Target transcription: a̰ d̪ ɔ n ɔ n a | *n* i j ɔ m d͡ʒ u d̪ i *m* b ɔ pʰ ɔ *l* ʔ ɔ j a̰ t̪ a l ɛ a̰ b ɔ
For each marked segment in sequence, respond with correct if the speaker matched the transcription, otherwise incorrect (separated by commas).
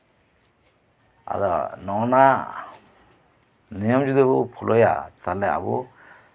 correct, incorrect, correct